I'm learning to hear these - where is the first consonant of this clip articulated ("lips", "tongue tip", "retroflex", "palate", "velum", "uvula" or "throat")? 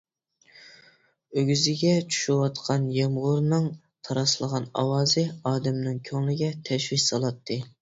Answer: velum